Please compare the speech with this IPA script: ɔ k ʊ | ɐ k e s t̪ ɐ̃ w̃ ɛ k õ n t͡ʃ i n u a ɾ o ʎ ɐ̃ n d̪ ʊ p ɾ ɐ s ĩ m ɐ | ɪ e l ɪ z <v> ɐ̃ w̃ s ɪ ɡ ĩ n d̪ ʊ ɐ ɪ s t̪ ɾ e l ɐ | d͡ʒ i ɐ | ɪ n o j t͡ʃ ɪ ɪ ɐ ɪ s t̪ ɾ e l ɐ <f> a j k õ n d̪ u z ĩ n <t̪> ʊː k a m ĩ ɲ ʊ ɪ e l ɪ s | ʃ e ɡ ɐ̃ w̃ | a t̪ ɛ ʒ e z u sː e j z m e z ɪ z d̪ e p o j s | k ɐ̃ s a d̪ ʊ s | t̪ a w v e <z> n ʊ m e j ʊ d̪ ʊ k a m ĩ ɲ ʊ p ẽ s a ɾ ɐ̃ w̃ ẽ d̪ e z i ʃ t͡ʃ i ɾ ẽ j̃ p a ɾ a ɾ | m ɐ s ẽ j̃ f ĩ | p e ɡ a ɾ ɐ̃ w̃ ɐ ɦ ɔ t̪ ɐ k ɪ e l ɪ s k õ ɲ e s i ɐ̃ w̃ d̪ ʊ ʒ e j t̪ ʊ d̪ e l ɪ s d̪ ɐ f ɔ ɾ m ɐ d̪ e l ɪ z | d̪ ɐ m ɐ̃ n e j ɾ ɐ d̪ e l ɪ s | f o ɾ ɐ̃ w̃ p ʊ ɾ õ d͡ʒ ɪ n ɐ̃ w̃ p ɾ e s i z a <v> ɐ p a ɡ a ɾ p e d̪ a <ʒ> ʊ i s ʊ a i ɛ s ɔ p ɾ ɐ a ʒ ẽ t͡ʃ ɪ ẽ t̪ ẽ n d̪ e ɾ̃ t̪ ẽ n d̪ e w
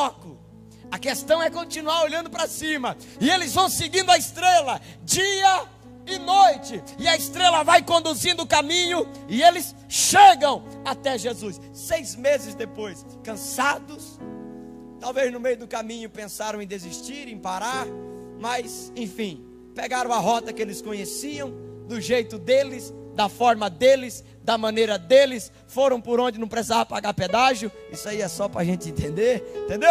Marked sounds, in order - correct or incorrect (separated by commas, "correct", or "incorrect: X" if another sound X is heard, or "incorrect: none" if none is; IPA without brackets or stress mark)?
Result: correct, incorrect: v, incorrect: d̪, correct, correct, correct